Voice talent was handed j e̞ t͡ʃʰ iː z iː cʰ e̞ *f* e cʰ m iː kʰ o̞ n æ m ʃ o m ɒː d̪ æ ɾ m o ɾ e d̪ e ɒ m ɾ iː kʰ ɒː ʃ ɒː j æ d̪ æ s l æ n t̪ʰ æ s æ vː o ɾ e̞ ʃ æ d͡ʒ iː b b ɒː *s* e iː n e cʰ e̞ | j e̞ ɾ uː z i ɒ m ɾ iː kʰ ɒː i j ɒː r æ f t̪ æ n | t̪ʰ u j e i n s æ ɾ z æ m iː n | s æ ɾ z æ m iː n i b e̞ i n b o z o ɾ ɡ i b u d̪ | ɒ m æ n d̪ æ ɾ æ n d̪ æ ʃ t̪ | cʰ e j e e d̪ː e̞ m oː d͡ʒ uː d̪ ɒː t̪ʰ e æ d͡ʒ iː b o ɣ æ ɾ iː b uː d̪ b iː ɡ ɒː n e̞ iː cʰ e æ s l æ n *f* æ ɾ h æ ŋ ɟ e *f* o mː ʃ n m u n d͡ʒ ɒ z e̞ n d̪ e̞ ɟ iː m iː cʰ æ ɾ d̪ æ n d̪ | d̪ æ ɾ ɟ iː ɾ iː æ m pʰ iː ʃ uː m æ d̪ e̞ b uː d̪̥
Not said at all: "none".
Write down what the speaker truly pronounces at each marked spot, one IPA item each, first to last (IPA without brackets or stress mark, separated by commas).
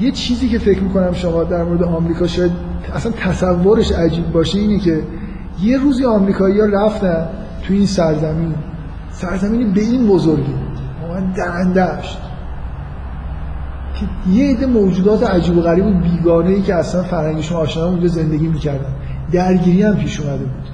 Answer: f, ʃ, f, ʃ